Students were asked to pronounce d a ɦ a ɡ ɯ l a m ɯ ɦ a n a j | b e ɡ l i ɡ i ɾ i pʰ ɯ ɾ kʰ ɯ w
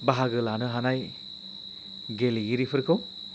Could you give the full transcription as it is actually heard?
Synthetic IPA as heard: b a ɦ a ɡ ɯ l a n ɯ ɦ a n a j | ɡ e l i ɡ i ɾ i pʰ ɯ ɾ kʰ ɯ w